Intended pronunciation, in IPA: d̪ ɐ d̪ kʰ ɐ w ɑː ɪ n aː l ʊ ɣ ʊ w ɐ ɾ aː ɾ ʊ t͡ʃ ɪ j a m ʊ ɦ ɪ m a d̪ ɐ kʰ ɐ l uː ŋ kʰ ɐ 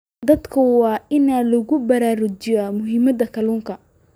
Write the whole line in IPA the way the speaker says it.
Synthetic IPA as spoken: d̪ ɐ d̪ kʰ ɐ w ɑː ɪ n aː l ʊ ɣ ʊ b ɐ ɾ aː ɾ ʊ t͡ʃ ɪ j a m ʊ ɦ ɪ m ɐ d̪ ɐ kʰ ɐ l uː ŋ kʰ ɐ